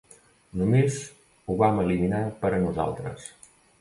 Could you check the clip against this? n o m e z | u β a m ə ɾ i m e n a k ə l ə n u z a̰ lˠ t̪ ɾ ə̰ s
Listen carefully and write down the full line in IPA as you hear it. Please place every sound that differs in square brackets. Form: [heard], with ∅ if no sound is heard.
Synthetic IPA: n [u] m e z | u β a m ə [l] i m [i] n a [p] ə [ɾ] ə n u z a̰ lˠ t̪ ɾ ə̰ s